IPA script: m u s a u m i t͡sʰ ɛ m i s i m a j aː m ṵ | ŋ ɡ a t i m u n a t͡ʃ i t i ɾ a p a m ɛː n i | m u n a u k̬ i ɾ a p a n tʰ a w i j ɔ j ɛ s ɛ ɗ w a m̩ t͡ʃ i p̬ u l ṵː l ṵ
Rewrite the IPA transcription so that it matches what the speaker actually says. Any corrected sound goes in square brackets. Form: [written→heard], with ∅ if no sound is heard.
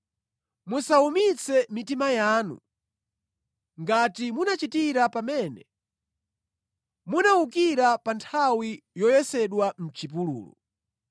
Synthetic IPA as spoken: m u s a u m i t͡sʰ ɛ m i [s→t] i m a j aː [m→n] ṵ | ŋ ɡ a t i m u n a t͡ʃ i t i ɾ a p a m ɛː n [i→ɛ] | m u n a u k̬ i ɾ a p a n tʰ a w i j ɔ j ɛ s ɛ ɗ w a m̩ t͡ʃ i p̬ u l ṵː l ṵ